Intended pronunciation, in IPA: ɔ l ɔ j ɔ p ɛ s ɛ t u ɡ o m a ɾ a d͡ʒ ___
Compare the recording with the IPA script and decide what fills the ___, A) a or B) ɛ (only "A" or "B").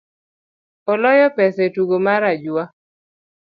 A